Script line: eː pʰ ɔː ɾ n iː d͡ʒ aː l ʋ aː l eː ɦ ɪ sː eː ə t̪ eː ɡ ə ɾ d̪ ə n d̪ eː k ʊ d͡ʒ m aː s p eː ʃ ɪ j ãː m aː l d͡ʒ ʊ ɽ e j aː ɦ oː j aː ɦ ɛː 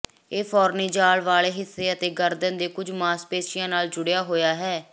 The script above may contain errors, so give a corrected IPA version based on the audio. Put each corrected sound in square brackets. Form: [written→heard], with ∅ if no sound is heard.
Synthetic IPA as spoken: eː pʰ ɔː ɾ n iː d͡ʒ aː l ʋ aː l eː ɦ ɪ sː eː ə t̪ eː ɡ ə ɾ d̪ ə n d̪ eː k ʊ d͡ʒ m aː s p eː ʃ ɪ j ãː [m→n] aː l d͡ʒ ʊ ɽ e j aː ɦ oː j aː ɦ ɛː